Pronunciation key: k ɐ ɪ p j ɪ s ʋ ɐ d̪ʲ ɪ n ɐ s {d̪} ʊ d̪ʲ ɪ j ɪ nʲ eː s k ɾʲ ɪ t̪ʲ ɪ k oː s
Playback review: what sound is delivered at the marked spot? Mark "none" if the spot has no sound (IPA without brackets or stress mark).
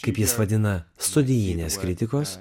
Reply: t̪